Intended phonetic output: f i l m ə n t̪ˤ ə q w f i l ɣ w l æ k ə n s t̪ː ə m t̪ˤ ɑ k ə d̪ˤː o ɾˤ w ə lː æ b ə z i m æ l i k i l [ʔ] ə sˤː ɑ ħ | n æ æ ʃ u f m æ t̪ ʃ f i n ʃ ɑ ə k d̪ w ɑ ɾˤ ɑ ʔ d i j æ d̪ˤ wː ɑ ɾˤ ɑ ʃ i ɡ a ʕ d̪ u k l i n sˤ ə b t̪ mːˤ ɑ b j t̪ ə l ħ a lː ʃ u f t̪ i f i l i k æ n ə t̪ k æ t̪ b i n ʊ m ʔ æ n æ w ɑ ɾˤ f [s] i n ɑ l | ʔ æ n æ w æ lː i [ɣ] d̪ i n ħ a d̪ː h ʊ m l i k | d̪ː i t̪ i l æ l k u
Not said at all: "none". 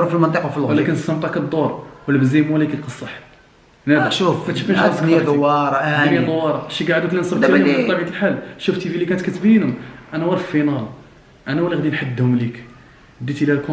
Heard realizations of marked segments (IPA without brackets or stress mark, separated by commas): q, f, ɣ